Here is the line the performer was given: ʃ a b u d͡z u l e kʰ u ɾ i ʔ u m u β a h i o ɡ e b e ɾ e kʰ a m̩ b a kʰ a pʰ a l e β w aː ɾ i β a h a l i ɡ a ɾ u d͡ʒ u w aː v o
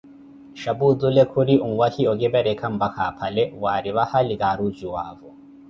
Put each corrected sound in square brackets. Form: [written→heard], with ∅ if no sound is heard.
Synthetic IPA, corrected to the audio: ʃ a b u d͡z u l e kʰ u ɾ i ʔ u m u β a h i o ɡ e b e ɾ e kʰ a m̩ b a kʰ a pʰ a l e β w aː ɾ i β a h a l i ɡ a ɾ u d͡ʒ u w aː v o